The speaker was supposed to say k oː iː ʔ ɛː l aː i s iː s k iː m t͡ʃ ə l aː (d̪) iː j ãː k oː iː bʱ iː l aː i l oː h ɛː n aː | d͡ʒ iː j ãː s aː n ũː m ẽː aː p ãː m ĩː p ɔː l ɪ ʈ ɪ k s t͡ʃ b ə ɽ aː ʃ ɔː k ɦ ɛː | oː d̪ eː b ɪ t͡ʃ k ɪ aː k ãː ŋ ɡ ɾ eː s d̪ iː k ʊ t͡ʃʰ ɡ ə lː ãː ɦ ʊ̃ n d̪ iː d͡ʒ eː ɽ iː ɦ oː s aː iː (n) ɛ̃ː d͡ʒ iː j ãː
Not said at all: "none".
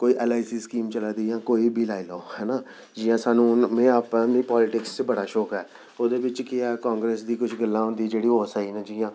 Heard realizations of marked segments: d̪, n

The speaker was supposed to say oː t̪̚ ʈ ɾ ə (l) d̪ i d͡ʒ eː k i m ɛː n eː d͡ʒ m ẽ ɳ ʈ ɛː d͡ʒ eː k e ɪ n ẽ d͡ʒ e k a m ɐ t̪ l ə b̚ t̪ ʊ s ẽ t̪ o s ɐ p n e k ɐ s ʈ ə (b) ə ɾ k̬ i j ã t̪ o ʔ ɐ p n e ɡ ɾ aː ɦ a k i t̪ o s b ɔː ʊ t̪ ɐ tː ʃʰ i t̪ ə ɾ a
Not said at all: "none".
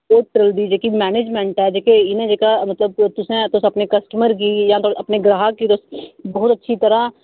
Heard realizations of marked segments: l, m

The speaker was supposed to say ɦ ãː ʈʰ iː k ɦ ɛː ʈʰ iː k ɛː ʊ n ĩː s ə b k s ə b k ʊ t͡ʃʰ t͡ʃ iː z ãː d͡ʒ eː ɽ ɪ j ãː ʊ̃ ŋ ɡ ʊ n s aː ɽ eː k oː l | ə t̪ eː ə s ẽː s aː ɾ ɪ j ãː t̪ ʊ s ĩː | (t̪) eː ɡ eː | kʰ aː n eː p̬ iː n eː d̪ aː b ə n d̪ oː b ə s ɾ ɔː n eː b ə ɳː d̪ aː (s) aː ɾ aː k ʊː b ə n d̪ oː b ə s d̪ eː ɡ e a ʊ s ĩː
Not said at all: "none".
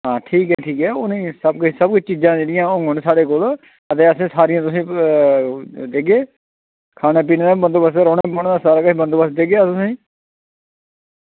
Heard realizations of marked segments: d̪, s

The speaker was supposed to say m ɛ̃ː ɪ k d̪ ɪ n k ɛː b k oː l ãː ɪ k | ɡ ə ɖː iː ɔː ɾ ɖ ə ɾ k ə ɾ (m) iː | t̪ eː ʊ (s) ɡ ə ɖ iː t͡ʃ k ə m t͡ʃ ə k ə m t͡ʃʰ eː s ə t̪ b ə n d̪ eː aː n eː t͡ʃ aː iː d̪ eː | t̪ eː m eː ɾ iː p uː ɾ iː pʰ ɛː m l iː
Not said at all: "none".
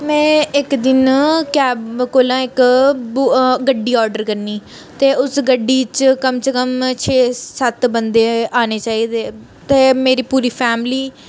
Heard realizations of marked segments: n, s

